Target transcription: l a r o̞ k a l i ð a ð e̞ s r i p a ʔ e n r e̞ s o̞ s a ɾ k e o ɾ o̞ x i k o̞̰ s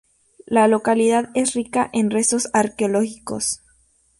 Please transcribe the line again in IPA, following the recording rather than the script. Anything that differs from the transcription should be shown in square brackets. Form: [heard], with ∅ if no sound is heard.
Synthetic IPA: l a [l] o̞ k a l i ð a ð e̞ s r i [k] a ʔ e n r e̞ s o̞ s a ɾ k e o [l] o̞ x i k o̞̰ s

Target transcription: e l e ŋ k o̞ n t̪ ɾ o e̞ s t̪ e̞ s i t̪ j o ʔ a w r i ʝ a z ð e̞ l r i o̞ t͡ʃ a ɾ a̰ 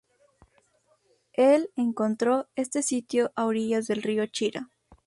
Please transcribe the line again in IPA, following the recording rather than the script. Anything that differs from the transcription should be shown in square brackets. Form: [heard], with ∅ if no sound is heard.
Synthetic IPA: e l e ŋ k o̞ n t̪ ɾ o e̞ s t̪ e̞ s i t̪ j o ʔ a w [ɾ] i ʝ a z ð e̞ l r i o̞ t͡ʃ [i] ɾ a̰

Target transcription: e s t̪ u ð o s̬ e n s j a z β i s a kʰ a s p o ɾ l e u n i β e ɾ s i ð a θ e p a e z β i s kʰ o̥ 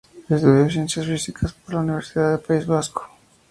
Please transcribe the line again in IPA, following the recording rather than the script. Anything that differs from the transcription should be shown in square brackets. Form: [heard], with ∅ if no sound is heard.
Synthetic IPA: e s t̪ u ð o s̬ e n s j a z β i s [i] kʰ a s p o ɾ l [a] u n i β e ɾ s i ð a [ð] e p a [i] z β [a] s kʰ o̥

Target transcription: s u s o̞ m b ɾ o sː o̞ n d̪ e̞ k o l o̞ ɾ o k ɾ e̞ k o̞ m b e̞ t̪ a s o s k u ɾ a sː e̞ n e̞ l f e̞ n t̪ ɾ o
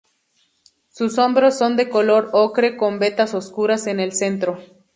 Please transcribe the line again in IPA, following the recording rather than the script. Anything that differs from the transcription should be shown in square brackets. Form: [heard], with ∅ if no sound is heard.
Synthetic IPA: s u s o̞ m b ɾ o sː o̞ n d̪ e̞ k o l o̞ ɾ o k ɾ e̞ k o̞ m b e̞ t̪ a s o s k u ɾ a [s] e̞ n e̞ l [s] e̞ n t̪ ɾ o

